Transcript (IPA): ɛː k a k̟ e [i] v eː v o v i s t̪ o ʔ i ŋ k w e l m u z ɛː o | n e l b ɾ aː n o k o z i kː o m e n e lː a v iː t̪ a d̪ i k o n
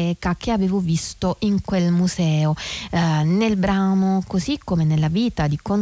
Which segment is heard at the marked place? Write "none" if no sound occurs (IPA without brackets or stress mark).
a